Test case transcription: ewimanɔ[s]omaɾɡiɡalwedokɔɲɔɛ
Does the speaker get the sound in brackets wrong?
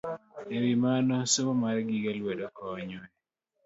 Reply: no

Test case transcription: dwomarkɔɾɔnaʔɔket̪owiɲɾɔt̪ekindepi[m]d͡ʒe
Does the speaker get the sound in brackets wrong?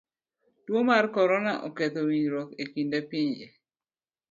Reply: yes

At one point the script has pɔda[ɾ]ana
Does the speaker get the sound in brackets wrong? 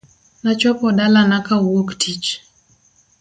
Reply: yes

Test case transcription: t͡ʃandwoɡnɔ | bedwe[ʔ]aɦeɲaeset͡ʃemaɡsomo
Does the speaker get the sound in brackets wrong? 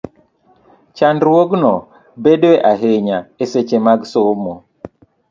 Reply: no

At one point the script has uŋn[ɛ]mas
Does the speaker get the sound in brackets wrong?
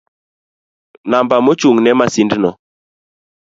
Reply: no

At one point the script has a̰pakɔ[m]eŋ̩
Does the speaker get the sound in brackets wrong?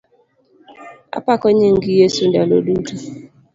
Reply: yes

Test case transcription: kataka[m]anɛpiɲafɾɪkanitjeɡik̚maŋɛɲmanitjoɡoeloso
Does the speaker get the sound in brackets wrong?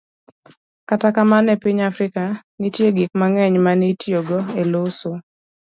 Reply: no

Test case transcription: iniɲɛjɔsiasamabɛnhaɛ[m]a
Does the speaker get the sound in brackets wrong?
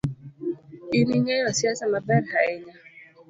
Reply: yes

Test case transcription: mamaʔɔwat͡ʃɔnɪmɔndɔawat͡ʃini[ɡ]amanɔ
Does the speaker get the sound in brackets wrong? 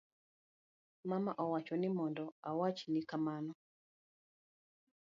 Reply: yes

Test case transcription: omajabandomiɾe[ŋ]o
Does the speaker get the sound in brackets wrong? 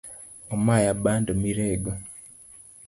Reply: yes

